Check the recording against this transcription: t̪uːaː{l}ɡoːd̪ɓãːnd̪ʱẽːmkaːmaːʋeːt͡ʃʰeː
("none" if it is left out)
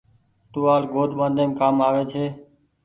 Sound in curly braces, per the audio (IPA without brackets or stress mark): l